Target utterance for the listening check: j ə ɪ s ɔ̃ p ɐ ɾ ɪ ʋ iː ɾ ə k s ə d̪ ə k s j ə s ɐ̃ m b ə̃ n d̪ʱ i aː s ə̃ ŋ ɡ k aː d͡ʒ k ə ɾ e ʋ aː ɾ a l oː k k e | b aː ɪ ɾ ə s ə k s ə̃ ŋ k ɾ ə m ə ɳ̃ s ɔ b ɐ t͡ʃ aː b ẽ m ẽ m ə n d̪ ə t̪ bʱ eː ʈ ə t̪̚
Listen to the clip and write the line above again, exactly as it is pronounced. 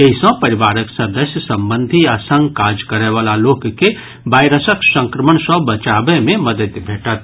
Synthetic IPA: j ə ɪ s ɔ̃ p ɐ ɾ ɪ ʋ aː ɾ ə k s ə d̪ ə s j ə s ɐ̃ m b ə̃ n d̪ʱ i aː s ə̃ ŋ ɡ k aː d͡ʒ k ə ɾ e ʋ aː l a l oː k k e | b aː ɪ ɾ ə s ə k s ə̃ ŋ k ɾ ə m ə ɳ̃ s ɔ b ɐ t͡ʃ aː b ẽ m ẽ m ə d̪ ə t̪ bʱ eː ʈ ə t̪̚

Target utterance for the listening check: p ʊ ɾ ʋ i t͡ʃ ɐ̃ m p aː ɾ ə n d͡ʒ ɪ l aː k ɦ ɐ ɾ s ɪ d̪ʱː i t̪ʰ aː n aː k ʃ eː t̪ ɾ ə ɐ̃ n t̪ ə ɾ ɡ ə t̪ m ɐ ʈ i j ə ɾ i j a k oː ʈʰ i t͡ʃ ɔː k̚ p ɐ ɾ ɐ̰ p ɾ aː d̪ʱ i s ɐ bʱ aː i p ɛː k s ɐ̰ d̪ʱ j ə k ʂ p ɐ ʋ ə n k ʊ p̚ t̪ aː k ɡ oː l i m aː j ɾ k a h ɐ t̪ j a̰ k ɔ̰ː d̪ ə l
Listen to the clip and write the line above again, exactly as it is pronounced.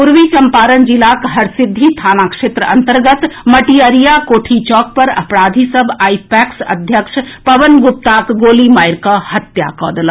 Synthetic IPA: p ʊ ɾ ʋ i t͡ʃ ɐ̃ m p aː ɾ ə n d͡ʒ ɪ l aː k ɦ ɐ ɾ s ɪ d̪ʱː i t̪ʰ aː n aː k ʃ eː t̪ ɾ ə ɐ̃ n t̪ ə ɾ ɡ ə t̪ m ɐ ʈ i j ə ɾ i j a k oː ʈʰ i t͡ʃ ɔː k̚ p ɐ ɾ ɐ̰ p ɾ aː d̪ʱ i s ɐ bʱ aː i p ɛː k s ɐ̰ d̪ʱ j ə k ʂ p ɐ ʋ ə n ɡ ʊ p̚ t̪ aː k ɡ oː l i m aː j ɾ k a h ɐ t̪ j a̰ k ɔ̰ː d̪ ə l

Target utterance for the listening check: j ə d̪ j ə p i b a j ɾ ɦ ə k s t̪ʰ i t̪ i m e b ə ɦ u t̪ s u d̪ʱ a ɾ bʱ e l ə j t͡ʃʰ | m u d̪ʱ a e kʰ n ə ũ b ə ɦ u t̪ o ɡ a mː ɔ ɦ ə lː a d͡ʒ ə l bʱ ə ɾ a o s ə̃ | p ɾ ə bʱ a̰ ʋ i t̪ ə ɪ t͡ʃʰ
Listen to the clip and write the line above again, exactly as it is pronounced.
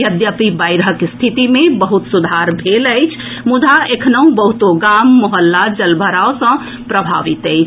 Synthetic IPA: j ə d̪ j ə p i b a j ɾ ɦ ə k s t̪ʰ i t̪ i m e b ə ɦ u t̪ s u d̪ʱ a ɾ bʱ e l ə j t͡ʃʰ | m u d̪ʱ a e kʰ n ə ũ b ə ɦ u t̪ o ɡ a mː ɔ ɦ ə lː a d͡ʒ ə l bʱ ə ɾ a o s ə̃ | p ɾ ə bʱ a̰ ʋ i t̪ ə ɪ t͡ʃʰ

